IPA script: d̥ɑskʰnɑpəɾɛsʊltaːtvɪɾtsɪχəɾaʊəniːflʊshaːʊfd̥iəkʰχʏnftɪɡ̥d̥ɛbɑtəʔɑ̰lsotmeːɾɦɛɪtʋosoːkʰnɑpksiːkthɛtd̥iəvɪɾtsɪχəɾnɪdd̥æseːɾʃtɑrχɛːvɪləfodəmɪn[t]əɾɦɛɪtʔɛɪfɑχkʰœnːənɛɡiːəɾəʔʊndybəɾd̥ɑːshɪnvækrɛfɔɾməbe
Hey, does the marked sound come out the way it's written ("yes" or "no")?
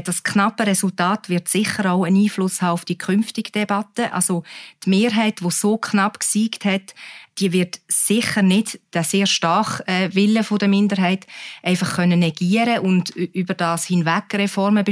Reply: no